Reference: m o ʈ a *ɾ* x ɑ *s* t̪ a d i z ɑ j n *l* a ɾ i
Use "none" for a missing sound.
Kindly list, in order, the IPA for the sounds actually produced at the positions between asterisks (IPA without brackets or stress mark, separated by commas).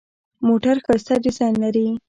ɾ, s, l